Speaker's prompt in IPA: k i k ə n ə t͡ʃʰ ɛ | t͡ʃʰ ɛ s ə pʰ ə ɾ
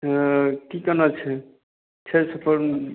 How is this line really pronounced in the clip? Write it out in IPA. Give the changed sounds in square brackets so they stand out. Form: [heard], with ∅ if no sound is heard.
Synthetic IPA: k i k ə n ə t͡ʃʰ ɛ | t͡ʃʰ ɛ s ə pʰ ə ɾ

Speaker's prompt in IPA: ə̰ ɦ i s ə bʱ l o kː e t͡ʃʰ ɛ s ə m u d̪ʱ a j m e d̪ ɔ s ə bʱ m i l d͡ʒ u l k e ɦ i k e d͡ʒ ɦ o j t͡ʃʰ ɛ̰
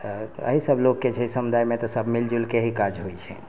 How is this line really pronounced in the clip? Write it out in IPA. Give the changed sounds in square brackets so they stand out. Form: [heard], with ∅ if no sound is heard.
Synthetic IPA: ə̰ ɦ i s ə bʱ l o kː e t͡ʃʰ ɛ s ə m u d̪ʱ a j m e [t̪] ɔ s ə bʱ m i l d͡ʒ u l k e ɦ i k [a] d͡ʒ ɦ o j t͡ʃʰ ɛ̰

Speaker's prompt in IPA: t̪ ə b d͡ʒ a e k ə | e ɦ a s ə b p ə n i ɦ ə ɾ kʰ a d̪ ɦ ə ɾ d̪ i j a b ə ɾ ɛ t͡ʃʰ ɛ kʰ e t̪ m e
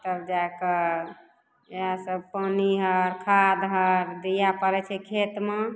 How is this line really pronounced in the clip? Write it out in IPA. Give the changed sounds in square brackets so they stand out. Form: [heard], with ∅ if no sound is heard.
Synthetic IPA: t̪ ə b d͡ʒ a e k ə | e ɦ a s ə b p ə n i ɦ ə ɾ kʰ a d̪ ɦ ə ɾ d̪ i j a [p] ə ɾ ɛ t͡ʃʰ ɛ kʰ e t̪ m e

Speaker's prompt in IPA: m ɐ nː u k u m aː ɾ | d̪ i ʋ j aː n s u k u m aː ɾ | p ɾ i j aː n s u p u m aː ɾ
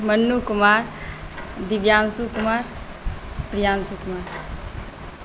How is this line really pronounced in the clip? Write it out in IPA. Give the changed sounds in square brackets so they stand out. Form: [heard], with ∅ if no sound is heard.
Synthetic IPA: m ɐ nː u k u m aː ɾ | d̪ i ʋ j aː n s u k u m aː ɾ | p ɾ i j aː n s u [k] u m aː ɾ

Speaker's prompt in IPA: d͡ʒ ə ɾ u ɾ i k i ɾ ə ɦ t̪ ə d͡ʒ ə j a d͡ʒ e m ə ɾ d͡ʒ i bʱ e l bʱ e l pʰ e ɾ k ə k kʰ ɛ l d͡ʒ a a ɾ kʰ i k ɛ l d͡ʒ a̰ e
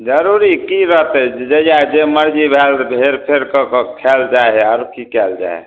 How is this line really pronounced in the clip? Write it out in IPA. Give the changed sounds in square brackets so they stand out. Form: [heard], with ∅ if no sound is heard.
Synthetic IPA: d͡ʒ ə ɾ u ɾ i k i ɾ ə ɦ t̪ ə d͡ʒ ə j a d͡ʒ e m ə ɾ d͡ʒ i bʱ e l bʱ e [ɾ] pʰ e ɾ k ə k kʰ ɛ l d͡ʒ a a ɾ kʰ i k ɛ l d͡ʒ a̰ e

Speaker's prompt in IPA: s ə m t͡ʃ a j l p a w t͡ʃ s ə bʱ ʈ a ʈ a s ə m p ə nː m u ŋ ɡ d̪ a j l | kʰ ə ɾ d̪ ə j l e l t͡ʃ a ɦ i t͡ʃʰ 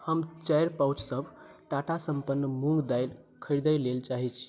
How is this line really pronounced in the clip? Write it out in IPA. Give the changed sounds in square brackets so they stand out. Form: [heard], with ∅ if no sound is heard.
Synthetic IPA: [h] ə m t͡ʃ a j [ɾ] p a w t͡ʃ s ə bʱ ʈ a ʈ a s ə m p ə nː m u ŋ ɡ d̪ a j l | kʰ ə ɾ d̪ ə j l e l t͡ʃ a ɦ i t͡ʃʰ

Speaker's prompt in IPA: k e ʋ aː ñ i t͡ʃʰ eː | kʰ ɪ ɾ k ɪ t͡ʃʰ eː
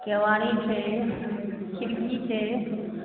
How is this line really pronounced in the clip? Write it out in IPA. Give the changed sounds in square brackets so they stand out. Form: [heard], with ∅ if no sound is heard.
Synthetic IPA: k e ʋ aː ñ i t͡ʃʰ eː | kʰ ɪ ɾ k [i] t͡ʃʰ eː

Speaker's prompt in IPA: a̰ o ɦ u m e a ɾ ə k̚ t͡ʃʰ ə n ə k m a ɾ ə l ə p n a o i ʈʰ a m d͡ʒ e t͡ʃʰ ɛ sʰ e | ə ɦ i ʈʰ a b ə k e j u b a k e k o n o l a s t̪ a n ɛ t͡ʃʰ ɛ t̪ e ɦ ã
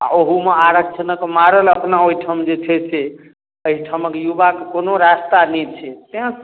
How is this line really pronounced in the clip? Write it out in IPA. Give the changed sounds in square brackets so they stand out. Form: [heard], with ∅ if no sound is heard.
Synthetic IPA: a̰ o ɦ u m e a ɾ ə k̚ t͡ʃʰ ə n ə k m a ɾ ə l ə p n a o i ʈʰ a m d͡ʒ e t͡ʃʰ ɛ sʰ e | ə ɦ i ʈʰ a [m] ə k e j u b a k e k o n o [ɾ] a s t̪ a n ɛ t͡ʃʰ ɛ t̪ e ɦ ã

